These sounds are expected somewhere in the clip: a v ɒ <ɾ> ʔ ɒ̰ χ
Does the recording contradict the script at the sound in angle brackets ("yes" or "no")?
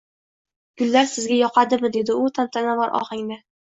no